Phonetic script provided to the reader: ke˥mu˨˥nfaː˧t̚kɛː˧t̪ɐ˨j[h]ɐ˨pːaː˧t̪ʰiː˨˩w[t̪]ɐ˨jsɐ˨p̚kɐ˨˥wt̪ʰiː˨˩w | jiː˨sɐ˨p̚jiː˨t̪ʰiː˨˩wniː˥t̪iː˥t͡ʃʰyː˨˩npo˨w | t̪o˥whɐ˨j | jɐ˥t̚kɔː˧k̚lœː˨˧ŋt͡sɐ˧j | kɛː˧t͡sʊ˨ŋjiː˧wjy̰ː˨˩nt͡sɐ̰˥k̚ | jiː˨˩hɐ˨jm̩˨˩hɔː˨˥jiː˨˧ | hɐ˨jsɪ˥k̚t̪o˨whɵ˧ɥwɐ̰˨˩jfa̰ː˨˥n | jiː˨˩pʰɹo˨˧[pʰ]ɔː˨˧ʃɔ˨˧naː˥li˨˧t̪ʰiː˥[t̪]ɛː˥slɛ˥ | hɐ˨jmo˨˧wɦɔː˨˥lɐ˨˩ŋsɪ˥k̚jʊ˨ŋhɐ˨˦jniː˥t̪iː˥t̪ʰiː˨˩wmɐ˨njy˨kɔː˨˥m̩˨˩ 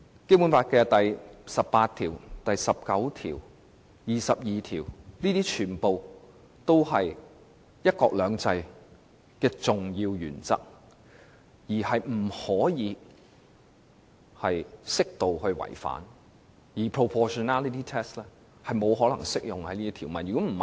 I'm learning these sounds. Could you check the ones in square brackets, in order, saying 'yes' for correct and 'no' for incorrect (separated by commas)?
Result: no, yes, yes, no